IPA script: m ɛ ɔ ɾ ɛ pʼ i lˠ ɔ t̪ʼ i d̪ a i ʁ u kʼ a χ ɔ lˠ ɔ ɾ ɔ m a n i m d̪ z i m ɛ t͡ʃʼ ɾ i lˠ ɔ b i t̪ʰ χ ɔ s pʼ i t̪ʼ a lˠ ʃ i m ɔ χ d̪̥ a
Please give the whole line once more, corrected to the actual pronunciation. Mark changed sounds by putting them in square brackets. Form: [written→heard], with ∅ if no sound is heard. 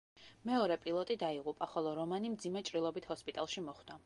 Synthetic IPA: m ɛ ɔ ɾ ɛ pʼ i lˠ ɔ t̪ʼ i d̪ a i ʁ u [kʼ→pʼ] a χ ɔ lˠ ɔ ɾ ɔ m a n i m d̪ z i m ɛ t͡ʃʼ ɾ i lˠ ɔ b i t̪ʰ [χ→h] ɔ s pʼ i t̪ʼ a lˠ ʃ i m ɔ χ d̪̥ a